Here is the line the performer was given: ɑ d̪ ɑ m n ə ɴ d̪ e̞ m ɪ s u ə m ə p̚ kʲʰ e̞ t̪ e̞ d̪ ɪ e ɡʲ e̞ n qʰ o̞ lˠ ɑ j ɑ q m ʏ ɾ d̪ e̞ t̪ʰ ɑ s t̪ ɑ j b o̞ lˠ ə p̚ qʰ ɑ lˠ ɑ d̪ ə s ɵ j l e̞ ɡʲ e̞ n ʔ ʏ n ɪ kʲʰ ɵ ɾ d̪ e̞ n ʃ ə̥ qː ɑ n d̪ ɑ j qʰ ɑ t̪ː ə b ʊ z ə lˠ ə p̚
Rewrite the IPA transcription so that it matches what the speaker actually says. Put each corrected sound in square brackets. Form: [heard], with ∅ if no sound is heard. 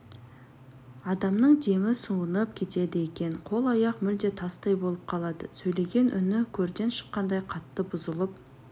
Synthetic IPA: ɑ d̪ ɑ m n ə ɴ d̪ e̞ m ɪ s u ə [n] ə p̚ kʲʰ e̞ t̪ e̞ d̪ ɪ e [kʲ] e̞ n qʰ o̞ lˠ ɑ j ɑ q m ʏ [l] d̪ e̞ t̪ʰ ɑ s t̪ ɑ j b o̞ lˠ ə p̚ qʰ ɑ lˠ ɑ d̪ ə s ɵ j l e̞ ɡʲ e̞ n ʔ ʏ n ɪ kʲʰ ɵ ɾ d̪ e̞ n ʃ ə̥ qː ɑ n d̪ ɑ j qʰ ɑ t̪ː ə b ʊ z ə lˠ ə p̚